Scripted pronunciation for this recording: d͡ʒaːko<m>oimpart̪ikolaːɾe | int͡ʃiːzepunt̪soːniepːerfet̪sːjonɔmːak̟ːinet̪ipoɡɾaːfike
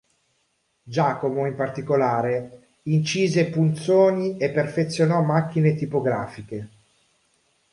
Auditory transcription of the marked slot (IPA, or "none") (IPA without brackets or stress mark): m